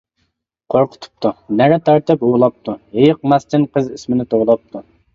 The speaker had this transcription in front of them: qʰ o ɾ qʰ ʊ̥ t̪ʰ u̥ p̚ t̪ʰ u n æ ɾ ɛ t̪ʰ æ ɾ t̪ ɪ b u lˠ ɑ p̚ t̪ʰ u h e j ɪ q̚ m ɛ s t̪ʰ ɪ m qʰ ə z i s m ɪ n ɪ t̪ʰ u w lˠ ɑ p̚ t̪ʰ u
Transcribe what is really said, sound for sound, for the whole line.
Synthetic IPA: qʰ o ɾ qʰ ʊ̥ t̪ʰ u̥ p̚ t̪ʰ u n æ ɾ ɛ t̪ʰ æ ɾ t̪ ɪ p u lˠ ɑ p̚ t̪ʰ u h e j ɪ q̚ m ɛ s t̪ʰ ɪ n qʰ ə z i s m ɪ n ɪ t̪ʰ o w lˠ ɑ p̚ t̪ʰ u